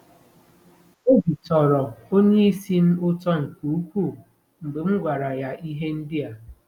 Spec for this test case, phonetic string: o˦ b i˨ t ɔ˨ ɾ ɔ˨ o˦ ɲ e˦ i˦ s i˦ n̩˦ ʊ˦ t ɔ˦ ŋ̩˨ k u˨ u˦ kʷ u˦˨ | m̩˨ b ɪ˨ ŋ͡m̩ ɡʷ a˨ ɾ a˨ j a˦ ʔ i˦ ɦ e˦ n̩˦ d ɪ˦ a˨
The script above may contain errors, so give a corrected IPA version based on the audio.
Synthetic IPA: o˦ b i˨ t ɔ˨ ɾ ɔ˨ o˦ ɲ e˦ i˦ s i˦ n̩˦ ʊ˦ t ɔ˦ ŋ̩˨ k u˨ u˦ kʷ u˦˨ | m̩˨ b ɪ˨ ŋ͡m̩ ɡʷ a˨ ɾ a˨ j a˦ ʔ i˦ ɦ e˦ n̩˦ d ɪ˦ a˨